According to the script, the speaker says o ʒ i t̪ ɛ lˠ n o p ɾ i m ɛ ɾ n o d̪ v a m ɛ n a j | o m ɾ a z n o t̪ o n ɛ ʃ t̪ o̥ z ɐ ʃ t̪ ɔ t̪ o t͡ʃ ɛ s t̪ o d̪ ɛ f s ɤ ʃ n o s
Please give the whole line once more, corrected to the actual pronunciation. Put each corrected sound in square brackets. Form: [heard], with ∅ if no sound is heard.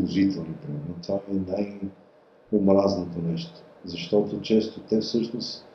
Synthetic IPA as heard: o ʒ i t̪ ɛ lˠ n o p ɾ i m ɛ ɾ n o [t̪] v a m ɛ n a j | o m ɾ a z n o t̪ o n ɛ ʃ t̪ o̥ z ɐ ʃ t̪ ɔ t̪ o t͡ʃ ɛ s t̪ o [t̪] ɛ f s ɤ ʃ n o s